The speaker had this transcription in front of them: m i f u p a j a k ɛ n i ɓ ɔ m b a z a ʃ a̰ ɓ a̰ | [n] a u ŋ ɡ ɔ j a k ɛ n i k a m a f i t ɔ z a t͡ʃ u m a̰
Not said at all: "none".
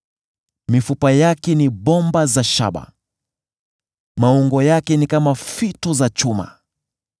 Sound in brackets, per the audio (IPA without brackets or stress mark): m